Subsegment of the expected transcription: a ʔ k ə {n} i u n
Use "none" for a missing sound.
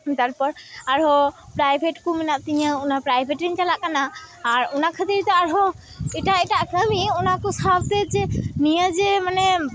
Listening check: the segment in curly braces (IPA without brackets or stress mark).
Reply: m